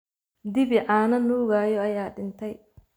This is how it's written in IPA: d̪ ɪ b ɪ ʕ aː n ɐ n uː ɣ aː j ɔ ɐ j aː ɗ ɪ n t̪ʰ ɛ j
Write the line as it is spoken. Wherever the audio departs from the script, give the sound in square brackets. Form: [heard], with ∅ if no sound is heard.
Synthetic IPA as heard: d̪ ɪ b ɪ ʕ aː n ɐ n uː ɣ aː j ɔ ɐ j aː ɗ ɪ n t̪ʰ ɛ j